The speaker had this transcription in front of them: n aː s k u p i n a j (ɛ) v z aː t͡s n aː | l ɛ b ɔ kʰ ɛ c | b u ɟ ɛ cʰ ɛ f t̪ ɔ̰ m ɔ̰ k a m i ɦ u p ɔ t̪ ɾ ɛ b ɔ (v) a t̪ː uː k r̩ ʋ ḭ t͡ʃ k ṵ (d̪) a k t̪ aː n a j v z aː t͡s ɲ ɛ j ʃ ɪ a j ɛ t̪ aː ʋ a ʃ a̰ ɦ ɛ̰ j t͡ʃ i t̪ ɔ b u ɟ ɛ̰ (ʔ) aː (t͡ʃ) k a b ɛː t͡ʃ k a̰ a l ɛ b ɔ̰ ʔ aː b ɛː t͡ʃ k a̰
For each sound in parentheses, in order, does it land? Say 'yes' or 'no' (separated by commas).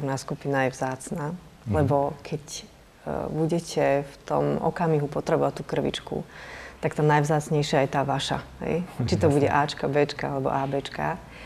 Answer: yes, no, no, yes, yes